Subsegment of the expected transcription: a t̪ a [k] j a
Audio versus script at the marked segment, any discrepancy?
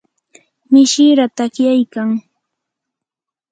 no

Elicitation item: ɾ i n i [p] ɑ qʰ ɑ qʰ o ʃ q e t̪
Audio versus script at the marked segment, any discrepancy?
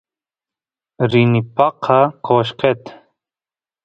no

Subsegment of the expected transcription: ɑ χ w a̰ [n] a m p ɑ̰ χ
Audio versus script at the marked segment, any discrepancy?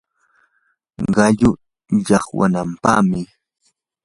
no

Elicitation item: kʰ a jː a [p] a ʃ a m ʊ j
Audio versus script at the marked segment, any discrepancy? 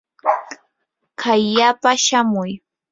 no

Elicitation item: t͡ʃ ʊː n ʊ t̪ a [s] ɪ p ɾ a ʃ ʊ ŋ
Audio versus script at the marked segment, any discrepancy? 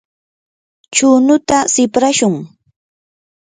no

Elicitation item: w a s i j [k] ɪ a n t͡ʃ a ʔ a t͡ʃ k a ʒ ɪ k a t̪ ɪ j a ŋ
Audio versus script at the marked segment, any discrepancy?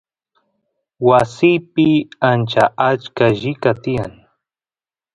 yes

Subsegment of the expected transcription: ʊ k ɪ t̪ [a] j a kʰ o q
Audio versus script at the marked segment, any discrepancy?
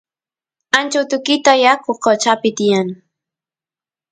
no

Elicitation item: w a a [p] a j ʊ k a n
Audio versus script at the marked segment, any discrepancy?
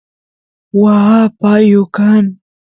no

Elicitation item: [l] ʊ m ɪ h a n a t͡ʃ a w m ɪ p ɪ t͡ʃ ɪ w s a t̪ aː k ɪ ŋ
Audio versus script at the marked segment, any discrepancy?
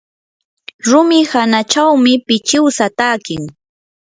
yes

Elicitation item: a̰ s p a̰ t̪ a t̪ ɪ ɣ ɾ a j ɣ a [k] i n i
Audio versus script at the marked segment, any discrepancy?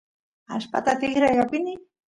yes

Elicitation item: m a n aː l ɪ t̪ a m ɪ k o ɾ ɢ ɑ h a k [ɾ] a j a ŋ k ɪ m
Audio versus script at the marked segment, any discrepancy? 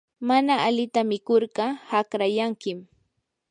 no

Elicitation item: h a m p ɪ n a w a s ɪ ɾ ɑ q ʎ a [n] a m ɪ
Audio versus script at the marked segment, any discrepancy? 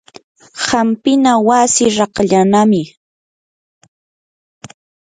no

